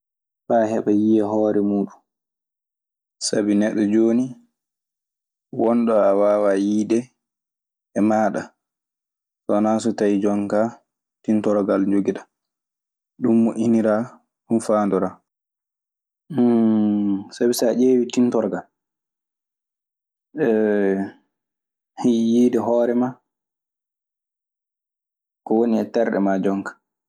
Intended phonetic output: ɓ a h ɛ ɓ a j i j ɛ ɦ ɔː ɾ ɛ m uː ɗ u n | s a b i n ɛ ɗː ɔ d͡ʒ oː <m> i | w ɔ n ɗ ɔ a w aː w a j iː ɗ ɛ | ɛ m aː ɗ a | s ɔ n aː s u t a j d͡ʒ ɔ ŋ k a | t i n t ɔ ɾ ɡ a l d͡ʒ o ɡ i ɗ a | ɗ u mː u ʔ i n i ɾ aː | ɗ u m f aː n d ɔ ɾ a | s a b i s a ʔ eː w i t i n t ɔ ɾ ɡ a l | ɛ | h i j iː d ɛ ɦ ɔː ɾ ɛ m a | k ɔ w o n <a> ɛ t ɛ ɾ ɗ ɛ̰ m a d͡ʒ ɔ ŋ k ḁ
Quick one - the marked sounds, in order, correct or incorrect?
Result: incorrect: n, incorrect: i

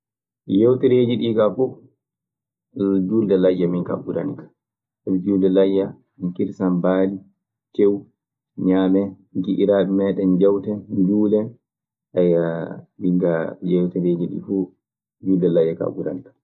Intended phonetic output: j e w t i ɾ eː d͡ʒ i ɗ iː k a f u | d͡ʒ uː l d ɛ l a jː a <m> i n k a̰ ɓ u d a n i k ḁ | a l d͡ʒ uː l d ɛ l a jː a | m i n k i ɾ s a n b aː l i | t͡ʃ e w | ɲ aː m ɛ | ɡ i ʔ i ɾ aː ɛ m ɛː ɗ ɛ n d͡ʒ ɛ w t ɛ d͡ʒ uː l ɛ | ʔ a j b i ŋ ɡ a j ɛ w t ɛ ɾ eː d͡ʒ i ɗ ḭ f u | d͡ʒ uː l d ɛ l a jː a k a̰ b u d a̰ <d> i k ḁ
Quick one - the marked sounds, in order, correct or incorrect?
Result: correct, incorrect: n

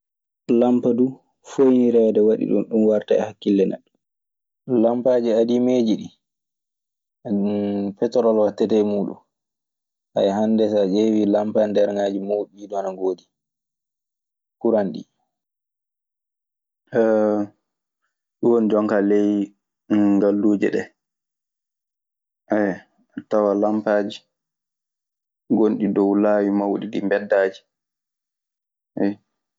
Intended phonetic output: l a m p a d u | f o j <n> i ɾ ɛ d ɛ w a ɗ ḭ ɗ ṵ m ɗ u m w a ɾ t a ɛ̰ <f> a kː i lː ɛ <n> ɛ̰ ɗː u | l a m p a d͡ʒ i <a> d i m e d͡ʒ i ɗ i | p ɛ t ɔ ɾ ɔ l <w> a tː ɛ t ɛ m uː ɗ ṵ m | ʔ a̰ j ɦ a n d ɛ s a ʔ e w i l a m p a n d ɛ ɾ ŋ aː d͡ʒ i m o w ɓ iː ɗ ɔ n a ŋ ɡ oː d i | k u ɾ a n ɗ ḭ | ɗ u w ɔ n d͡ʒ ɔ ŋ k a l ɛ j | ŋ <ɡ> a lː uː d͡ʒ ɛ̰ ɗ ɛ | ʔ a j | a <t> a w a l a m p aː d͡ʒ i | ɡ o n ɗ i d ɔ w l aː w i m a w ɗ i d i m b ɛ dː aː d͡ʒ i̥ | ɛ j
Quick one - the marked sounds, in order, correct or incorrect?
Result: correct, incorrect: h, correct, correct, correct, correct, correct

